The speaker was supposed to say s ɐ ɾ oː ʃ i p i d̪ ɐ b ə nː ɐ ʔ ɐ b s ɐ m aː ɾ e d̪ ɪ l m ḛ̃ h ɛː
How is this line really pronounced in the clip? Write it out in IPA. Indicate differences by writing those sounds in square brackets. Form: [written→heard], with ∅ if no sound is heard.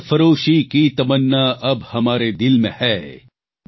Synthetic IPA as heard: [s→f] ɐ ɾ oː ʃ i [p→k] i [d̪→t̪] ɐ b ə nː [ɐ→a] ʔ ɐ b [s→h] ɐ m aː ɾ e d̪ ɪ l m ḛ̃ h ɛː